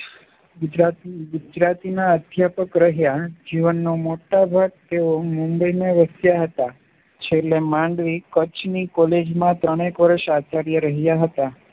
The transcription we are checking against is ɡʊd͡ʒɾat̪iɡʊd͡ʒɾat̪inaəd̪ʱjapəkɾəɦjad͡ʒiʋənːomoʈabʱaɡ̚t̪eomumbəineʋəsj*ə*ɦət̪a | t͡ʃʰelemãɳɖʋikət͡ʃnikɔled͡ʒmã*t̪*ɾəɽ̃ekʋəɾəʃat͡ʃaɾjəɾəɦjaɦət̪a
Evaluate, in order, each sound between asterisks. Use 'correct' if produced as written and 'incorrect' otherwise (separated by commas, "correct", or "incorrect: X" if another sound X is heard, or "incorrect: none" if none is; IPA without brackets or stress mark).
incorrect: a, correct